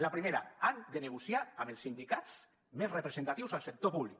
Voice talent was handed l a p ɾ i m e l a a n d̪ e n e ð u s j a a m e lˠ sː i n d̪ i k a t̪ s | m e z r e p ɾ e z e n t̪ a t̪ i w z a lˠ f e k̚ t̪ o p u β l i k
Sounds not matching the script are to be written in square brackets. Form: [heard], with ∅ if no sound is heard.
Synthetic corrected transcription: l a p ɾ i m e [ɾ] a a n d̪ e n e [ɣ] u s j a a m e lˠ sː i n d̪ i k a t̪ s | m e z r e p ɾ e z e n t̪ a t̪ i w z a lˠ [s] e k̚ t̪ o p u β l i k